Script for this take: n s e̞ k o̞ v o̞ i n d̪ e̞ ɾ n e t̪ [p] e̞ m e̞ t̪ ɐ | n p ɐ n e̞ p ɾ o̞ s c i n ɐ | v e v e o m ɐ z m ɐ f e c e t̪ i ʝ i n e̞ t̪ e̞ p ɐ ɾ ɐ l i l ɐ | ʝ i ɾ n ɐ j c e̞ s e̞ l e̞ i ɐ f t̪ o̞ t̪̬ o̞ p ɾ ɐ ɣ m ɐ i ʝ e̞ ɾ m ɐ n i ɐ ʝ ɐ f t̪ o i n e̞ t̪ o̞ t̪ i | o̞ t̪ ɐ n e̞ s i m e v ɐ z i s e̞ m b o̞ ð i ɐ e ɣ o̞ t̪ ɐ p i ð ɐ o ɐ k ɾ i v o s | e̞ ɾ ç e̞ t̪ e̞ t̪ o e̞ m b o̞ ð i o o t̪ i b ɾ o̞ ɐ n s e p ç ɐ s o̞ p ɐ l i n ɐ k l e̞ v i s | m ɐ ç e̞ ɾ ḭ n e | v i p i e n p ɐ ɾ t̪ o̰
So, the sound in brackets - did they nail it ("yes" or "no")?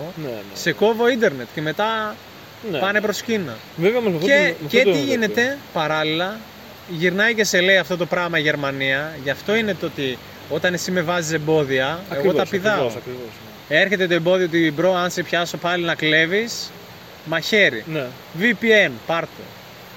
no